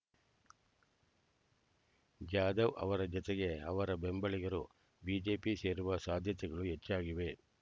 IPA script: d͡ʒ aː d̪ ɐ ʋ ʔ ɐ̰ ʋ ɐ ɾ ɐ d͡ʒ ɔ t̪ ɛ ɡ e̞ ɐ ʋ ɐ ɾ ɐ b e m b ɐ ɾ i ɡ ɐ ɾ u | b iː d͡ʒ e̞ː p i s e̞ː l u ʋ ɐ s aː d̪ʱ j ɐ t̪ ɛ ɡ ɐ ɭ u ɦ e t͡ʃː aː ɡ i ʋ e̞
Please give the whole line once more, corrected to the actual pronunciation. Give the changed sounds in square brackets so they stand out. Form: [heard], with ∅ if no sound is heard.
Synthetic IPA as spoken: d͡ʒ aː d̪ ɐ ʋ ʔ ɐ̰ ʋ ɐ ɾ ɐ d͡ʒ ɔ t̪ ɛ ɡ e̞ ɐ ʋ ɐ ɾ ɐ b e m b ɐ [ɭ] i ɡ ɐ ɾ u | b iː d͡ʒ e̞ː p i s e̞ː [ɾ] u ʋ ɐ s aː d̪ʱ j ɐ t̪ ɛ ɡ ɐ ɭ u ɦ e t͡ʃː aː ɡ i ʋ e̞